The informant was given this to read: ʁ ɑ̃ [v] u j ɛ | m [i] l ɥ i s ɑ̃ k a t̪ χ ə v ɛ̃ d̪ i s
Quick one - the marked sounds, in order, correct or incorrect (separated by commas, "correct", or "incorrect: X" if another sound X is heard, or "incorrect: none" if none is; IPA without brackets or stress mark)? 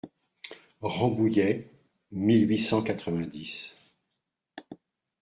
incorrect: b, correct